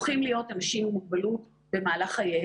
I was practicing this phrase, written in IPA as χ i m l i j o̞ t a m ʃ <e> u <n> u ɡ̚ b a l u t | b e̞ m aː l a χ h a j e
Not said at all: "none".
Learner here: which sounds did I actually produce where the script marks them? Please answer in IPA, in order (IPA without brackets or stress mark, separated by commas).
i, m